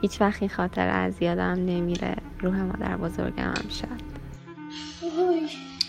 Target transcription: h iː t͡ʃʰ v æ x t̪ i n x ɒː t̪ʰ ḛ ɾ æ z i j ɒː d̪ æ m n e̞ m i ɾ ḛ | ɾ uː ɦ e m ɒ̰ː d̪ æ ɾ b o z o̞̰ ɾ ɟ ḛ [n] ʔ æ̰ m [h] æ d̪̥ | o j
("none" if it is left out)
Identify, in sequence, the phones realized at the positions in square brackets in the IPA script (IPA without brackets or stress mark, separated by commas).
m, ʃ